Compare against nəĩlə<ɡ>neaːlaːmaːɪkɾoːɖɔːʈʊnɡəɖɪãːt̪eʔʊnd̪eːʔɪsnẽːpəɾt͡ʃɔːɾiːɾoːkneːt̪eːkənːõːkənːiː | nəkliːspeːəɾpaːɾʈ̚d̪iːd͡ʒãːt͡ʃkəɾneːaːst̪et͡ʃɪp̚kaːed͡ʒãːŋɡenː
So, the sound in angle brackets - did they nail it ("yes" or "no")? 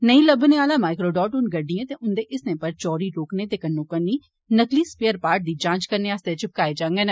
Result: no